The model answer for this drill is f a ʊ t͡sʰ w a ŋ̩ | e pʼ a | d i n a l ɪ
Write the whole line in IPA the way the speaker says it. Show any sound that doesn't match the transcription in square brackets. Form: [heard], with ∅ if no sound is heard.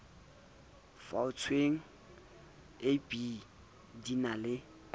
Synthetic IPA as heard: f a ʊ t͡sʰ w [e] ŋ̩ | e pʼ [i] | d i n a l ɪ

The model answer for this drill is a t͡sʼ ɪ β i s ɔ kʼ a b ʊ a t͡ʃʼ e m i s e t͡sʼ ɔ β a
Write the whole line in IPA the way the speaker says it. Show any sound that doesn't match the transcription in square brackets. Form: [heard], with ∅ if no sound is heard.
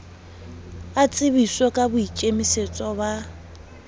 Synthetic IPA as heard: a t͡sʼ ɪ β i s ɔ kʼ a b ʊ [i] t͡ʃʼ e m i s e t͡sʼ ɔ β a

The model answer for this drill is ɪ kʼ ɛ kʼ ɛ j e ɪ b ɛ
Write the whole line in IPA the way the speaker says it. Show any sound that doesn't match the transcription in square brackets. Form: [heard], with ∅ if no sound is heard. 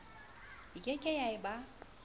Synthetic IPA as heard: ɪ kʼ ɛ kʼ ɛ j [a] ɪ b [a]

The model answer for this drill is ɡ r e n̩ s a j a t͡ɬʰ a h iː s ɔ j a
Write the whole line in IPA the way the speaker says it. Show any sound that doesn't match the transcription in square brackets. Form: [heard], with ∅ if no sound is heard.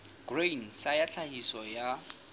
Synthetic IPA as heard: ɡ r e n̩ s a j a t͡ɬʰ a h [i] s ɔ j a

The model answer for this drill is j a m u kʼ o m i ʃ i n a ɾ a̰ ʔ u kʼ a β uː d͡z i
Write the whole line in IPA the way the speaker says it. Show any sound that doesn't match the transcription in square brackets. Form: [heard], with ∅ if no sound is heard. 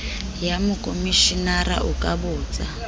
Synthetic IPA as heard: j a m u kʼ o m i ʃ i n a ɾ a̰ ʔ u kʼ a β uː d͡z [a]

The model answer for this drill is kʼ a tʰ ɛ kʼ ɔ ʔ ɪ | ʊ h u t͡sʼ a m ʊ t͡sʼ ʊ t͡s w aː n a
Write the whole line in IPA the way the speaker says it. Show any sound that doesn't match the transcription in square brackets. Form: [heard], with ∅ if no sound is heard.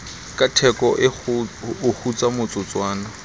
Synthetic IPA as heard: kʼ a tʰ ɛ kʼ ɔ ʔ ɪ | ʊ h u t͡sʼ a m ʊ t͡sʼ ʊ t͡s w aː n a

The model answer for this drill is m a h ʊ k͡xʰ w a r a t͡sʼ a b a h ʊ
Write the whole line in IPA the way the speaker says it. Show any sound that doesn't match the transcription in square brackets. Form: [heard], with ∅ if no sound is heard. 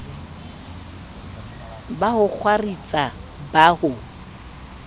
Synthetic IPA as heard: [b] a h ʊ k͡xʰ w a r [i] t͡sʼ a b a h ʊ

